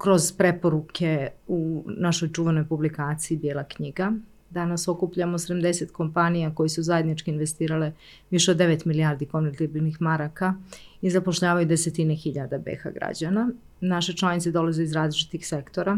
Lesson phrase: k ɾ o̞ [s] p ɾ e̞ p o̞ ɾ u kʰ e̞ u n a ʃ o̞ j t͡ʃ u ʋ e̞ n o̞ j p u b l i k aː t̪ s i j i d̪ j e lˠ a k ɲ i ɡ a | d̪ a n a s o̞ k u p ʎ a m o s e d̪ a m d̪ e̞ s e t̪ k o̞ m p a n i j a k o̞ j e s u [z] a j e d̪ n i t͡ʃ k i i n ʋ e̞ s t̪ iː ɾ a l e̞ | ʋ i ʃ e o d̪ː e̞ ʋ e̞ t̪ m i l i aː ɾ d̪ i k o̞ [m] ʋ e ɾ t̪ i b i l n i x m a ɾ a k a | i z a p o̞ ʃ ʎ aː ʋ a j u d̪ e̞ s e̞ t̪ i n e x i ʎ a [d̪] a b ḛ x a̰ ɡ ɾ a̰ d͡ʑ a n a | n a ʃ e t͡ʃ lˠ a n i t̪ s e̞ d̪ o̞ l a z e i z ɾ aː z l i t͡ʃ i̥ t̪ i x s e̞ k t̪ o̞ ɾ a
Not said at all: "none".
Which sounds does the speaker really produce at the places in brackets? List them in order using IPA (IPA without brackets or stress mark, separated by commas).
z, z, n, d̪